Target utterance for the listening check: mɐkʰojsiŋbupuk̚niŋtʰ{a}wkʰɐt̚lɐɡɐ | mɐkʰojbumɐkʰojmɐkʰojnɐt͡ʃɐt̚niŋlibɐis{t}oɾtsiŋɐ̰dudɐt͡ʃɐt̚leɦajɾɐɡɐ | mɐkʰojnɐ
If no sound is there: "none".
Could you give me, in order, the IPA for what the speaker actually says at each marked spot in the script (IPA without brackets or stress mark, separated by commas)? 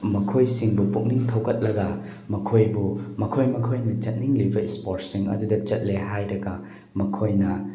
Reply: ɐ, p